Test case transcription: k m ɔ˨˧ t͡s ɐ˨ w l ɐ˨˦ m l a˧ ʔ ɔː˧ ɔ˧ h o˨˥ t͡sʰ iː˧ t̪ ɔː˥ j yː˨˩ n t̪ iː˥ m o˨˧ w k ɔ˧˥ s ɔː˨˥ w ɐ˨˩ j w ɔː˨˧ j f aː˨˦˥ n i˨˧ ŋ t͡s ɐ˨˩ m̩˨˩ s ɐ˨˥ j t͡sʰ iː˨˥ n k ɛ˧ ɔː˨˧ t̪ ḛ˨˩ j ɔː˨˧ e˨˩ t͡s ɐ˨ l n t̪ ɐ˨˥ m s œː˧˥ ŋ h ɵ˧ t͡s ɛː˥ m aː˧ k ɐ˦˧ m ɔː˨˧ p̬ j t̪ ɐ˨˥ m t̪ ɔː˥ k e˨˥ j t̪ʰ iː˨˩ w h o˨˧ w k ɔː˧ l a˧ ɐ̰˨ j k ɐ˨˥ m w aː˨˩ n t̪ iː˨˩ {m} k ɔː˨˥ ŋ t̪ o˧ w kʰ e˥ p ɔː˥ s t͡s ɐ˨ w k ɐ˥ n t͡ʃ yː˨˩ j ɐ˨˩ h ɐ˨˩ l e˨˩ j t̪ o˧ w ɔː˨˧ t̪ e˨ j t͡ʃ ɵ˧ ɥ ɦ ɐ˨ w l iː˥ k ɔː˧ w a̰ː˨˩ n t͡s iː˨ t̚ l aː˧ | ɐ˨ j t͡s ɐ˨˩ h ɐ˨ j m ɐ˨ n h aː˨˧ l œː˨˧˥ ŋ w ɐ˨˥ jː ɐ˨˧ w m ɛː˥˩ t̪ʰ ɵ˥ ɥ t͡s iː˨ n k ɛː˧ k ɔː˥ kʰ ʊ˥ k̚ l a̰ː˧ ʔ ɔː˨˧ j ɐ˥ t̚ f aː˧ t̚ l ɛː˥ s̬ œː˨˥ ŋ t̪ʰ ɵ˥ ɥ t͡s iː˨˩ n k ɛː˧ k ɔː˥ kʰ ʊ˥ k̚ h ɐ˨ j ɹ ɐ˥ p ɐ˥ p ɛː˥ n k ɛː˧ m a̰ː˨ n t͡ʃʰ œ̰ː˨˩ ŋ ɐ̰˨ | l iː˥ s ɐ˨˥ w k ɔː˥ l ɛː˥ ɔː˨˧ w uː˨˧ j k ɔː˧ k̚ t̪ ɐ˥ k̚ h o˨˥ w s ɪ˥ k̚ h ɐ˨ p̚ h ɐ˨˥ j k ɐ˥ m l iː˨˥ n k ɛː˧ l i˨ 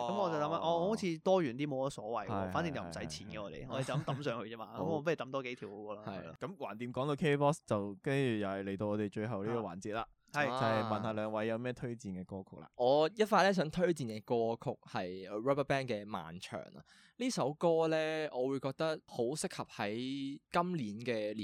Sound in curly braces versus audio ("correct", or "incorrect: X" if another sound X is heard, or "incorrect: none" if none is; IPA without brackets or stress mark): correct